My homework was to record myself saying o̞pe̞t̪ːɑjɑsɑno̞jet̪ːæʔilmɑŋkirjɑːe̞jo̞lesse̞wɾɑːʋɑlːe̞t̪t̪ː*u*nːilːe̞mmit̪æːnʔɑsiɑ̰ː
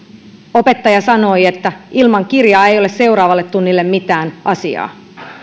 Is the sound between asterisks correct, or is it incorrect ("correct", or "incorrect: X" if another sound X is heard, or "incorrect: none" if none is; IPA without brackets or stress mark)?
correct